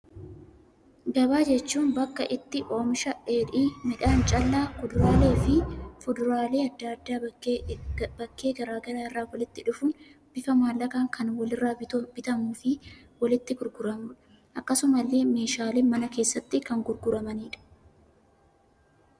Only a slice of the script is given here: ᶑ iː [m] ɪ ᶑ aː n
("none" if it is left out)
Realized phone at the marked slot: m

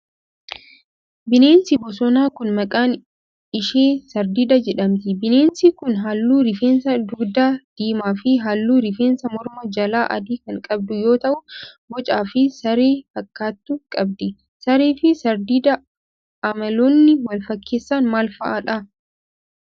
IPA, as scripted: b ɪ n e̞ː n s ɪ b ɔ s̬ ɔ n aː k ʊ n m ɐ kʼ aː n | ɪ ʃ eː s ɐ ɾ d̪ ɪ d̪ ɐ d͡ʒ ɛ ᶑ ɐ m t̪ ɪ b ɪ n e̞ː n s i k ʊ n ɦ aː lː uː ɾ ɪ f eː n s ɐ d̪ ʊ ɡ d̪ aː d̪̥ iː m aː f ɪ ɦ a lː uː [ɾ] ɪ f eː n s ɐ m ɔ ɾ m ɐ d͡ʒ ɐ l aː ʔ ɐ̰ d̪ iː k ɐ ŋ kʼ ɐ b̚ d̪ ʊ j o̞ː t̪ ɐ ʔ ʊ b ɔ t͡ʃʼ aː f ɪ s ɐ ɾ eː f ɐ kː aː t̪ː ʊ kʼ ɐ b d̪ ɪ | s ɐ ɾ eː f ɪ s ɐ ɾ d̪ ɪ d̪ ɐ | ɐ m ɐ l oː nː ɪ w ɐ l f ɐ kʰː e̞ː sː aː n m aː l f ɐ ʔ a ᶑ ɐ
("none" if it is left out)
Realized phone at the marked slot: ɾ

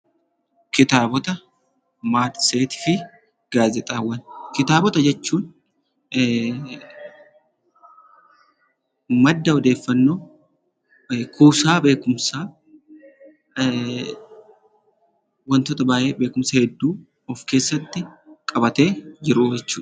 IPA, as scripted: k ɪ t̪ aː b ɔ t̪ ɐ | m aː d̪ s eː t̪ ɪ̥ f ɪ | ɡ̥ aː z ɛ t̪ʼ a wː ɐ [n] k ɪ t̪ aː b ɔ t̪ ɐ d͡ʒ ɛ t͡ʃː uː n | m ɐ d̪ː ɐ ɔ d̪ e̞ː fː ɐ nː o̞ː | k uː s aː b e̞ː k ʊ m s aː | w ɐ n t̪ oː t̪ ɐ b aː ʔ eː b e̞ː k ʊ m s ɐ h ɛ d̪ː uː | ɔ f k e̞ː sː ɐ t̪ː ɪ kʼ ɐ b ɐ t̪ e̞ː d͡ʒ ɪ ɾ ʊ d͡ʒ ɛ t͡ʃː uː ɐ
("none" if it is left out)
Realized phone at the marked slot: n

